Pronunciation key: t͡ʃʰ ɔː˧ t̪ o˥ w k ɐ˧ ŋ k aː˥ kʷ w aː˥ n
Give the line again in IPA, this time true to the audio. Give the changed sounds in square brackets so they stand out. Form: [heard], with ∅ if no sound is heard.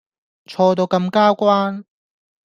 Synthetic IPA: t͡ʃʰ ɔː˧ t̪ [o˧] w k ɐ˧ [m] k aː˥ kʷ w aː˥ n